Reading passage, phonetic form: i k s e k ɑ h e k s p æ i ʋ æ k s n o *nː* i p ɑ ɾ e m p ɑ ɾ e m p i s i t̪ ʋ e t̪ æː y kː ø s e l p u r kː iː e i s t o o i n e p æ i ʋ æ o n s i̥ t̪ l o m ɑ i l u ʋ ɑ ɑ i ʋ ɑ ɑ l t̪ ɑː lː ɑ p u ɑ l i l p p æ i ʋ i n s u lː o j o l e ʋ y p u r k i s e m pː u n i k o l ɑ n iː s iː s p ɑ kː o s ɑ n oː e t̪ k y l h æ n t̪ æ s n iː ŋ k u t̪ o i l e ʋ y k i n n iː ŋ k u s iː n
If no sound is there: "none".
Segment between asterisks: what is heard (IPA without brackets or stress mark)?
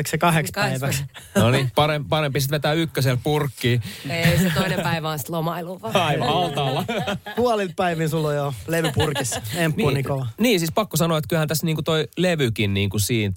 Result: n